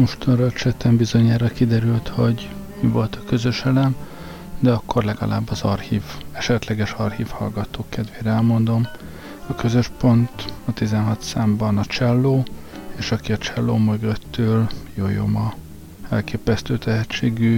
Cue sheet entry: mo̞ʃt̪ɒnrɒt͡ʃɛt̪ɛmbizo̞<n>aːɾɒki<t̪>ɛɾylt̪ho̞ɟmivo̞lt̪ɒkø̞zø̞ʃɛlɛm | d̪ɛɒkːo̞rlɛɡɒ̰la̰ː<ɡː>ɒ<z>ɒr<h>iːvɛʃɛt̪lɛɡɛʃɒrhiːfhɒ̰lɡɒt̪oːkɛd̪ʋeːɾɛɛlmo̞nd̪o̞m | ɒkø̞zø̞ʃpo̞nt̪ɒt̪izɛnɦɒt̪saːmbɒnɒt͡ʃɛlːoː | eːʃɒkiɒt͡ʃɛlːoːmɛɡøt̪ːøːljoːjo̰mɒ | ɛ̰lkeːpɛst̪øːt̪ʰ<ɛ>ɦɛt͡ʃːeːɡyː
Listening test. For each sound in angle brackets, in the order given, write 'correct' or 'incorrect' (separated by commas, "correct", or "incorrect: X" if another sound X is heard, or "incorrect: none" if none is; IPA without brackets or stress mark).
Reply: incorrect: ɲ, incorrect: d̪, incorrect: bː, correct, correct, correct